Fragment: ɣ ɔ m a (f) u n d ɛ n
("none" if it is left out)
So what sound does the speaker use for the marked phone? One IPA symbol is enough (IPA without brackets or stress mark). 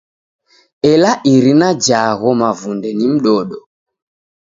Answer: v